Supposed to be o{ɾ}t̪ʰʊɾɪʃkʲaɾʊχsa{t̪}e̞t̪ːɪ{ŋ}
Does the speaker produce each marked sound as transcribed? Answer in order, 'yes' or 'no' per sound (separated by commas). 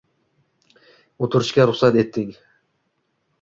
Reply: no, yes, yes